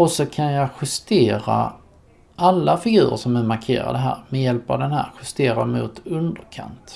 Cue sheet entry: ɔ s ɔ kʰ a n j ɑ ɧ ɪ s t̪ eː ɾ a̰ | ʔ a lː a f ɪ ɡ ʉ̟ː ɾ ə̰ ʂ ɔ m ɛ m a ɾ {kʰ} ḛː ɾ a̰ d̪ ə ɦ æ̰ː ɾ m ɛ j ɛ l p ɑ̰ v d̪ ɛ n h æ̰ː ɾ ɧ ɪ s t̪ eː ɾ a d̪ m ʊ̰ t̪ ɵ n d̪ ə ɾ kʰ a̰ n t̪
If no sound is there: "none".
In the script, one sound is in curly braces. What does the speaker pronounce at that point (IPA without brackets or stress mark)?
kʰ